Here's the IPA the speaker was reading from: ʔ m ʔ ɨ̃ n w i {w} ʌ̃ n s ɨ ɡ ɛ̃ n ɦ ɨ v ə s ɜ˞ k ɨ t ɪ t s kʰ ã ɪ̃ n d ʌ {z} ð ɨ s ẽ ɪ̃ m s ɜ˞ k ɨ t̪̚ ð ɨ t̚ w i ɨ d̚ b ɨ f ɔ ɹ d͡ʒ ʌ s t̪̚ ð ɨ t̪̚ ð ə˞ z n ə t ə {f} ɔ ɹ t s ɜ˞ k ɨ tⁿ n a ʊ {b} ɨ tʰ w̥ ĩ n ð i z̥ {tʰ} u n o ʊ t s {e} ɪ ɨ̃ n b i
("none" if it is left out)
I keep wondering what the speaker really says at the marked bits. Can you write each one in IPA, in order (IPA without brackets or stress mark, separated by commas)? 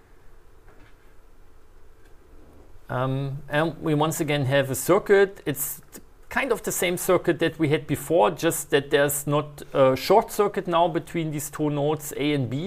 w, v, ʃ, b, tʰ, e